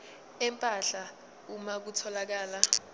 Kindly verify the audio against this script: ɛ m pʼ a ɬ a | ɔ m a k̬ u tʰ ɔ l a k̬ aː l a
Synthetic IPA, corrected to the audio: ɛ m pʼ a ɬ a | u m a k̬ u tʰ ɔ l a k̬ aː l a